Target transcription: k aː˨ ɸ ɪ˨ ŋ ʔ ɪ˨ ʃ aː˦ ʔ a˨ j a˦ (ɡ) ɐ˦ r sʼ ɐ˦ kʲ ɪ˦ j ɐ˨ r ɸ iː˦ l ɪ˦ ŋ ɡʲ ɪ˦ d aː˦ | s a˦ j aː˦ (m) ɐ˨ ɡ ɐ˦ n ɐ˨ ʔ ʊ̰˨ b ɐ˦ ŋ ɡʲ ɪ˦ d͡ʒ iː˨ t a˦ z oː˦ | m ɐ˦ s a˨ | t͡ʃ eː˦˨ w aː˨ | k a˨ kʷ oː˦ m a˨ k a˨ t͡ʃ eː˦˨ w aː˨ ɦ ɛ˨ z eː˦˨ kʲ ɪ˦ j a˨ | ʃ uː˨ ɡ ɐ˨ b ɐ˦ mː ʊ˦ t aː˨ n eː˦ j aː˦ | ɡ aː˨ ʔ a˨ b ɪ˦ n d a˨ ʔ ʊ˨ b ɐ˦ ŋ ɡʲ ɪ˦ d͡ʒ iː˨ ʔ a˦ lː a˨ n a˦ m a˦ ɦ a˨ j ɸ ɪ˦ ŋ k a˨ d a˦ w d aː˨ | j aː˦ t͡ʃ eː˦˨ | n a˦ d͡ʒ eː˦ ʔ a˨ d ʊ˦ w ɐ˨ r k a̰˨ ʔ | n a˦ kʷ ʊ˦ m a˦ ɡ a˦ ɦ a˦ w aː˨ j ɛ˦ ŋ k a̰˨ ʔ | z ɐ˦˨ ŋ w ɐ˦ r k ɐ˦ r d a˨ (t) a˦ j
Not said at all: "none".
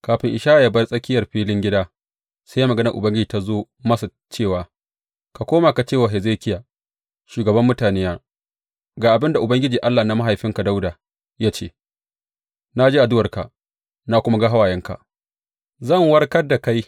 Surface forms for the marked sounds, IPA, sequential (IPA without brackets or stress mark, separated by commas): b, m, k